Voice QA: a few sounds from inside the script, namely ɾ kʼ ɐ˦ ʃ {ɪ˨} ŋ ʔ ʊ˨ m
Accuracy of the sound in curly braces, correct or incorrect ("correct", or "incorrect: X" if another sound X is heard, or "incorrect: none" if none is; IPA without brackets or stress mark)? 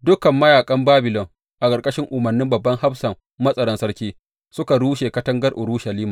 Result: incorrect: ɪ˦